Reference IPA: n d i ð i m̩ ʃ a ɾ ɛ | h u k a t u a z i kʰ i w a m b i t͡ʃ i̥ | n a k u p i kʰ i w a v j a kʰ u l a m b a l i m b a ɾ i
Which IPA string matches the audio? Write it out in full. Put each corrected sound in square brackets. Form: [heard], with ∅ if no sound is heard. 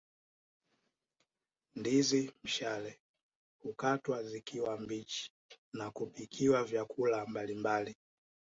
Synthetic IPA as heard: n d i [z] i m̩ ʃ a [l] ɛ | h u k a t [w] a z i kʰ i w a m b i t͡ʃ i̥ | n a k u p i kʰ i w a v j a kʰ u l a m b a l i m b a [l] i